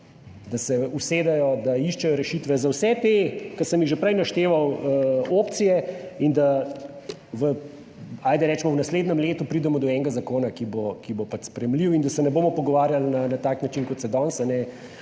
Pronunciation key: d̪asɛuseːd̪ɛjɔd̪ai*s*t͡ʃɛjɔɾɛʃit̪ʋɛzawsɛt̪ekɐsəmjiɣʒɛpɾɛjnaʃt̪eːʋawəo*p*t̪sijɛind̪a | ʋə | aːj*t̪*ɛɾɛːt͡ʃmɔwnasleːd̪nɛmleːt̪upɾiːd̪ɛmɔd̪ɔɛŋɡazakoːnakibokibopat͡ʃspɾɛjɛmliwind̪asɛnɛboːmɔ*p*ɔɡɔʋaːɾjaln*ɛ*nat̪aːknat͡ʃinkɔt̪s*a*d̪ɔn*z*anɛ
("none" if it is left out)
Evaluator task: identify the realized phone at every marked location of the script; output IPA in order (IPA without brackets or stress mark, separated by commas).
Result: ʃ, p, d̪, p, a, ɛ, s